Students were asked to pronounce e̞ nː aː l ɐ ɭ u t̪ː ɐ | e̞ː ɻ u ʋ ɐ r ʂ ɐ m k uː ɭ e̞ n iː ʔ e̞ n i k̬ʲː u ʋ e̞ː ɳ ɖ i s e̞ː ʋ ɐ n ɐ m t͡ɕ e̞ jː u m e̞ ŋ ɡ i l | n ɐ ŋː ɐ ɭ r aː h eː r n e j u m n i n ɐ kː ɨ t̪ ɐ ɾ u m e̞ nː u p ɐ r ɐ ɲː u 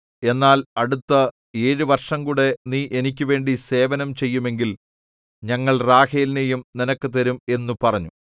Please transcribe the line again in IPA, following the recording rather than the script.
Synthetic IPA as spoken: e̞ nː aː l ɐ ɽ u t̪ː ɐ | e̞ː ɻ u ʋ ɐ r ʂ ɐ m k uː ɽ e̞ n iː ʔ e̞ n i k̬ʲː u ʋ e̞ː ɳ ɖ i s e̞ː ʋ ɐ n ɐ m t͡ɕ e̞ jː u m e̞ ŋ ɡ i l | ɲ ɐ ŋː ɐ ɭ r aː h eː l n e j u m n i n ɐ kː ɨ t̪ ɐ ɾ u m e̞ nː u p ɐ r ɐ ɲː u

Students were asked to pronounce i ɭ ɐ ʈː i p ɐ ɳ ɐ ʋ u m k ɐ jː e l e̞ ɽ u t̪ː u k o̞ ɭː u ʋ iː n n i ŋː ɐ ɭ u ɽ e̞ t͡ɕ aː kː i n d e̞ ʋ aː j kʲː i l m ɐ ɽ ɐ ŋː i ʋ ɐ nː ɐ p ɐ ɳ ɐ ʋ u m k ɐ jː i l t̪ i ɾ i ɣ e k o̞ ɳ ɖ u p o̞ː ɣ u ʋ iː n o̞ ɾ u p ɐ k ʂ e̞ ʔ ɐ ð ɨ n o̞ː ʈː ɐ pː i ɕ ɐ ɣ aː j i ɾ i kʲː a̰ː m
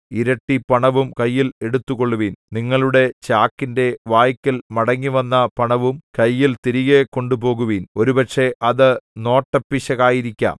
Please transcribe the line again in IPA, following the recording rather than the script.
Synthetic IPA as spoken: i ɾ ɐ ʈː i p ɐ ɳ ɐ ʋ u m k ɐ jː i l e̞ ɽ u t̪ː u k o̞ ɭː u ʋ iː n n i ŋː ɐ ɭ u ɽ e̞ t͡ɕ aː kː i n d e̞ ʋ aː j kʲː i l m ɐ ɽ ɐ ŋː i ʋ ɐ nː ɐ p ɐ ɳ ɐ ʋ u m k ɐ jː i l t̪ i ɾ i ɣ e k o̞ ɳ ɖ u p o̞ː ɣ u ʋ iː n o̞ ɾ u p ɐ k ʂ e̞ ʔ ɐ ð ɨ n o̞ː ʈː ɐ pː i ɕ ɐ ɣ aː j i ɾ i kʲː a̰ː m

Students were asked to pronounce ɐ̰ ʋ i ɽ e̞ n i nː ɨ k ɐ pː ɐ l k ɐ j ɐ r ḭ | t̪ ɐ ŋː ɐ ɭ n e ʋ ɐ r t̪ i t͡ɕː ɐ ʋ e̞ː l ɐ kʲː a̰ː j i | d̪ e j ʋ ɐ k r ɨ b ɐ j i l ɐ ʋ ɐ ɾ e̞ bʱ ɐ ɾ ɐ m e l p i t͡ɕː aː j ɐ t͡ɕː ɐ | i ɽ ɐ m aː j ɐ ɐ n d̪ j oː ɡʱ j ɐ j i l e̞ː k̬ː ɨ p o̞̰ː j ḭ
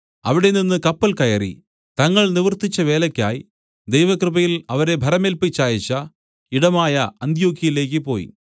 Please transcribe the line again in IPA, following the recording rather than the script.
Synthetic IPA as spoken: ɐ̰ ʋ i ɽ e̞ n i nː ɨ k ɐ pː ɐ l k ɐ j ɐ r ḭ | t̪ ɐ ŋː ɐ ɭ n i ʋ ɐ r t̪ i t͡ɕː ɐ ʋ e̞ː l ɐ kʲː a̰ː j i | d̪ e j ʋ ɐ k r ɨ b ɐ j i l ɐ ʋ ɐ ɾ e̞ bʱ ɐ ɾ ɐ m e l p i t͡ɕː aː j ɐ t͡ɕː ɐ | i ɽ ɐ m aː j ɐ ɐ n d̪ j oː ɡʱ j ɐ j i l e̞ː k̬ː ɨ p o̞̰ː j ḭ

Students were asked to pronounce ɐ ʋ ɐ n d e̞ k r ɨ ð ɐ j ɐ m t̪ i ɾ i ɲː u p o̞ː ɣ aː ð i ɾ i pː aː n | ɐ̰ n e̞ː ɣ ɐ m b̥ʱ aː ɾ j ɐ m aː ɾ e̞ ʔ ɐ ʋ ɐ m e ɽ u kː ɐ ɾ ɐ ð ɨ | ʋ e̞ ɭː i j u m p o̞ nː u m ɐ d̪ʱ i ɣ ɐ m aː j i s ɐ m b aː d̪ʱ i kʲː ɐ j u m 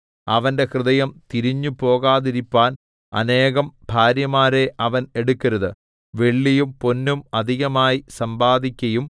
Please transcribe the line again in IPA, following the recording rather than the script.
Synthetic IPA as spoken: ɐ ʋ ɐ n d e̞ k r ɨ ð ɐ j ɐ m t̪ i ɾ i ɲː u p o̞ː ɣ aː ð i ɾ i pː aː n | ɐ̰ n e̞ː ɣ ɐ m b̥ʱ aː ɾ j ɐ m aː ɾ e̞ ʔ ɐ ʋ ɐ n e ɽ u kː ɐ ɾ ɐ ð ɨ | ʋ e̞ ɭː i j u m p o̞ nː u m ɐ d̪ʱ i ɣ ɐ m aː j i s ɐ m b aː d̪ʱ i kʲː ɐ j u m

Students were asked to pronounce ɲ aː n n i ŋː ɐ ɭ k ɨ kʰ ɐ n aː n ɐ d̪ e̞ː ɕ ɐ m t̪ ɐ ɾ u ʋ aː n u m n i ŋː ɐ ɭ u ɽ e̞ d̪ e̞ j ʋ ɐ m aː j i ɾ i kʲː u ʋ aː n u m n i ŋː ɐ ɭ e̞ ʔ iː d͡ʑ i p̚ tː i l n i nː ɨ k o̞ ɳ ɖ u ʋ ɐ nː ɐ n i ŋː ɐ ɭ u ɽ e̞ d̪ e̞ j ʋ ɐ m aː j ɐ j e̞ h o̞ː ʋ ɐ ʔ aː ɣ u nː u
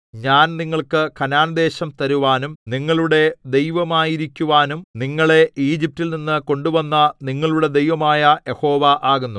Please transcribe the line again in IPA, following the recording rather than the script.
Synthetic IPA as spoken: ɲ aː n n i ŋː ɐ ɭ k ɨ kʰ ɐ n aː n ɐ d̪ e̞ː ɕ ɐ m t̪ ɐ ɾ u ʋ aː n u m n i ŋː ɐ ɭ u ɽ e̞ d̪ e̞ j ʋ ɐ m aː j i ɾ i kʲː u ʋ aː n u m n i ŋː ɐ ɭ e̞ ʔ iː d͡ʑ i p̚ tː i l n i nː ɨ k o̞ ɳ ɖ u ʋ ɐ nː ɐ n i ŋː ɐ ɭ u ɽ e̞ d̪ e̞ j ʋ ɐ m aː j ɐ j e̞ h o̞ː ʋ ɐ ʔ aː ɣ u nː u

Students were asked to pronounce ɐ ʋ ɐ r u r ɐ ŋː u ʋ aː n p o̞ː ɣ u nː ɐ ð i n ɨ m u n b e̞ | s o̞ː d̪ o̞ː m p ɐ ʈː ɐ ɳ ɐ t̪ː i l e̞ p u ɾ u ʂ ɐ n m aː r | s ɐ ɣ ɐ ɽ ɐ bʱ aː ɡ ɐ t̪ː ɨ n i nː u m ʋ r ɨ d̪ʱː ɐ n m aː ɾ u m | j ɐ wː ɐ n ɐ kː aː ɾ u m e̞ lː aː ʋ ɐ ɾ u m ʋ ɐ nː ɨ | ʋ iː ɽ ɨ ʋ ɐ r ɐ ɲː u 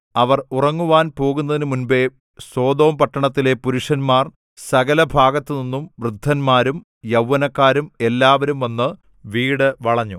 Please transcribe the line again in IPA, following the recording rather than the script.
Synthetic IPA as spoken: ɐ ʋ ɐ r u r ɐ ŋː u ʋ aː n p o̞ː ɣ u nː ɐ ð i n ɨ m u n b e̞ | s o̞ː d̪ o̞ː m p ɐ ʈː ɐ ɳ ɐ t̪ː i l e̞ p u ɾ u ʂ ɐ n m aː r | s ɐ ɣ ɐ l ɐ bʱ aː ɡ ɐ t̪ː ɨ n i nː u m ʋ r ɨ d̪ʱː ɐ n m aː ɾ u m | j ɐ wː ɐ n ɐ kː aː ɾ u m e̞ lː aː ʋ ɐ ɾ u m ʋ ɐ nː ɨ | ʋ iː ɽ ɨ ʋ ɐ ɭ ɐ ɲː u

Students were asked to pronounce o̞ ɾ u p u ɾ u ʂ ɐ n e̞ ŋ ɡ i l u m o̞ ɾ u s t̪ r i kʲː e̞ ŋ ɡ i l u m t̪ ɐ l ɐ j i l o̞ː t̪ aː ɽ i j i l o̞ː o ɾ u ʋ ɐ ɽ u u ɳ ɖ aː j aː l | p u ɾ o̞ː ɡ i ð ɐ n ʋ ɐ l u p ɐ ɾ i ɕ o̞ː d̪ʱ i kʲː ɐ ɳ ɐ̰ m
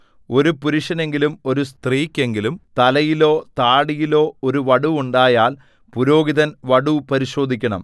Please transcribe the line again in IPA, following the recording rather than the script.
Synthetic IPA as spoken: o̞ ɾ u p u ɾ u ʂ ɐ n e̞ ŋ ɡ i l u m o̞ ɾ u s t̪ r iː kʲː e̞ ŋ ɡ i l u m t̪ ɐ l ɐ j i l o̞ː t̪ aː ɽ i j i l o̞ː o ɾ u ʋ ɐ ɽ u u ɳ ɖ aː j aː l | p u ɾ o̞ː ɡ i ð ɐ n ʋ ɐ ɽ u p ɐ ɾ i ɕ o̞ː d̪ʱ i kʲː ɐ ɳ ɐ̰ m

